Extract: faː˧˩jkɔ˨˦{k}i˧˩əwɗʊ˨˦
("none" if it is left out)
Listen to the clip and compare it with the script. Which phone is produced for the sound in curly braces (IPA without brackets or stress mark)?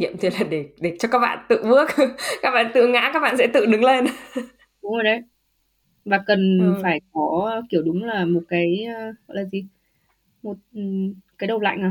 k